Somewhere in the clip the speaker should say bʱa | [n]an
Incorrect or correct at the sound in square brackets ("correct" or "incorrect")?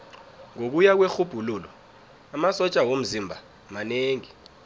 incorrect